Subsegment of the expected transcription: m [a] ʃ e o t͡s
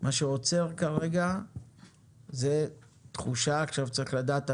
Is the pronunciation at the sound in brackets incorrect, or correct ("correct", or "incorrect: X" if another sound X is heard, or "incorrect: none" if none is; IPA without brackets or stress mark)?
correct